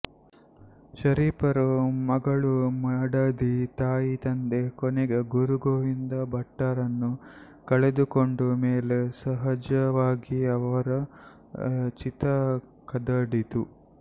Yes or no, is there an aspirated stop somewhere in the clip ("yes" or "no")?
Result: no